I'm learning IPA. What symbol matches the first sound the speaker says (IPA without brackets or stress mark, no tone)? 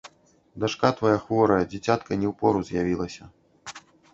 d̪